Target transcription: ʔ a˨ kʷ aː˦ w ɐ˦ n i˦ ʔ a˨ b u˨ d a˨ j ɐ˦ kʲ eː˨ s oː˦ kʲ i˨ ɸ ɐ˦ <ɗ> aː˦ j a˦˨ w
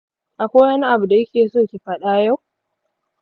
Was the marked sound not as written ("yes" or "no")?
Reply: no